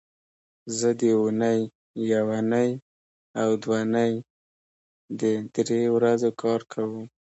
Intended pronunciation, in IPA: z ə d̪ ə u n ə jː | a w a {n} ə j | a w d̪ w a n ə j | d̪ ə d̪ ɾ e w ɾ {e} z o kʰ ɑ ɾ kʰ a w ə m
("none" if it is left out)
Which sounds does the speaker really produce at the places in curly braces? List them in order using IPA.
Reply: n, a

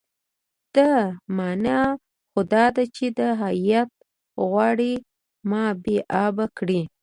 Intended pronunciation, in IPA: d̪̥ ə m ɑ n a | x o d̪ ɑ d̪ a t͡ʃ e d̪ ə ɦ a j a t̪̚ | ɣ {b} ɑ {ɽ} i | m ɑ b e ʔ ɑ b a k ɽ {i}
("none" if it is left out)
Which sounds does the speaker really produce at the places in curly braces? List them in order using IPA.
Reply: w, ɽ, i

